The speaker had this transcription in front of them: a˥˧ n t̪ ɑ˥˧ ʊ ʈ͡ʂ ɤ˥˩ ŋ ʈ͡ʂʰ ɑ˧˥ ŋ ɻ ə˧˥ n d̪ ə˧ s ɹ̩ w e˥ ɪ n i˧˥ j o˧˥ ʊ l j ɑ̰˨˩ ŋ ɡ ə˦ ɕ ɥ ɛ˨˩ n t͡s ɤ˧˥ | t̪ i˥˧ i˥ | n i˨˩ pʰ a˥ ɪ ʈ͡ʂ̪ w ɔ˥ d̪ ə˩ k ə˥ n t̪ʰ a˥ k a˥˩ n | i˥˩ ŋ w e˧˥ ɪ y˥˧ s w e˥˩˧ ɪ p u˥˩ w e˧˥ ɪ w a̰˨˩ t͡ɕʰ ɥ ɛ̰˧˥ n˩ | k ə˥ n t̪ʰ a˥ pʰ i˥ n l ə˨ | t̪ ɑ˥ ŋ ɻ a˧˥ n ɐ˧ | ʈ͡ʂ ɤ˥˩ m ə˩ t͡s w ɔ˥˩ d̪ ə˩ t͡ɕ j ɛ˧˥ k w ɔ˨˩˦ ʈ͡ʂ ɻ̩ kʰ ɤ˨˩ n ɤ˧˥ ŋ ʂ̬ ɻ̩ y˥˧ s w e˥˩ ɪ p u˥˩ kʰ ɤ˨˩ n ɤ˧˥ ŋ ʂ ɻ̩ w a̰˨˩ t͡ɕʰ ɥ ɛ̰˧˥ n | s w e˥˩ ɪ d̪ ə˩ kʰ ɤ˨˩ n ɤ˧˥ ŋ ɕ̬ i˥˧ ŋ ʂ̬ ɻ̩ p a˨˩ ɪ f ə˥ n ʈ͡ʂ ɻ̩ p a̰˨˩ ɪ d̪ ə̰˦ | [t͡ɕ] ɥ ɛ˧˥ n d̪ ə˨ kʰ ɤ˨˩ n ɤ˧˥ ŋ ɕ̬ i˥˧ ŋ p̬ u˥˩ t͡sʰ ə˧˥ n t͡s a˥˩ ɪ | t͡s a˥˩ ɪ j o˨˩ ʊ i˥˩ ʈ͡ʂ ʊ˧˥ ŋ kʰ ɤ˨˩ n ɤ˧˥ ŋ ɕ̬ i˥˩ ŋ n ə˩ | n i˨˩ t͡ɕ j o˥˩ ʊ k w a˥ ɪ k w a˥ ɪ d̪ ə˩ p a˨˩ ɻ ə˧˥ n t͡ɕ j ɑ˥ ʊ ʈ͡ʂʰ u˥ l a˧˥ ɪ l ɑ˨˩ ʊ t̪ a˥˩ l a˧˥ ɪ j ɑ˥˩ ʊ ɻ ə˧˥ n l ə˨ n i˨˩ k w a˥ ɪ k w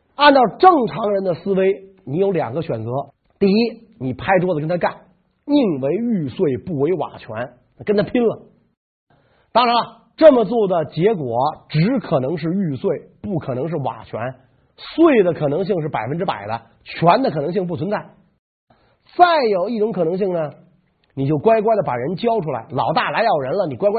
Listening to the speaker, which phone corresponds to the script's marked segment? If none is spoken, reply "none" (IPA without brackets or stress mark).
t͡ɕʰ